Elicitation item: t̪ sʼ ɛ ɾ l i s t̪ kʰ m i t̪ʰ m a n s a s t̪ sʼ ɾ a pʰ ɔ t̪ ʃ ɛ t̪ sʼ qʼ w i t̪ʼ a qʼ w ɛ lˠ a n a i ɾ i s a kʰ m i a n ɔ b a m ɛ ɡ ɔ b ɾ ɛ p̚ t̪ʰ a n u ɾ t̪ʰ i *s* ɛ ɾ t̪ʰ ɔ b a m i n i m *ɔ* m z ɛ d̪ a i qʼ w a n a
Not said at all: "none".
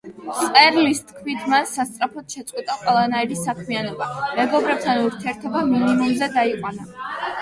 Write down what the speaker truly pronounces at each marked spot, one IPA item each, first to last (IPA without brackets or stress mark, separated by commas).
none, u